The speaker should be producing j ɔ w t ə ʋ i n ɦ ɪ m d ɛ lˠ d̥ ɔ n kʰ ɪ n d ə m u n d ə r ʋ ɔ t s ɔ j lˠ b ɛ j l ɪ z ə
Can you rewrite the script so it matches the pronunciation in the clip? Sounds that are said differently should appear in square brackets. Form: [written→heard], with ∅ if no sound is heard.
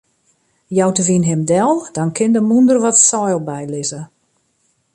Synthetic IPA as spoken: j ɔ w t ə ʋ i n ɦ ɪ m d ɛ lˠ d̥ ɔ n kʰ ɪ n d ə m u n d ə r ʋ ɔ t s ɔ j lˠ b ɛ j l ɪ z ə